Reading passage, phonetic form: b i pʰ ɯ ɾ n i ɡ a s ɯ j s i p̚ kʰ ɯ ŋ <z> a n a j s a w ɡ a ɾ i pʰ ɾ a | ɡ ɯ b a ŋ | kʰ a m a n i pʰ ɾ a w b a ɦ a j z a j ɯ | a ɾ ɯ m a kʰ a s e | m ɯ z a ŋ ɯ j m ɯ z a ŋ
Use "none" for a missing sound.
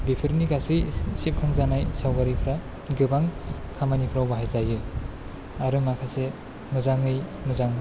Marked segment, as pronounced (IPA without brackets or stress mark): z